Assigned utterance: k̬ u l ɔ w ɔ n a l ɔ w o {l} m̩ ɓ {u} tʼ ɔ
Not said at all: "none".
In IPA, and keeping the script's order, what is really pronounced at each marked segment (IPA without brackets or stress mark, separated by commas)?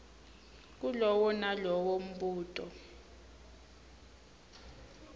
none, uː